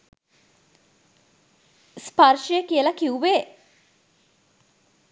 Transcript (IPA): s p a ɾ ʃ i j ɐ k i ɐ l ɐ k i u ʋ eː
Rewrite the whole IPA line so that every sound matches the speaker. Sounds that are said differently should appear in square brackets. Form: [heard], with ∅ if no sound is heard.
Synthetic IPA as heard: s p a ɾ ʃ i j [ə] k i [ə] l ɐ k i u ʋ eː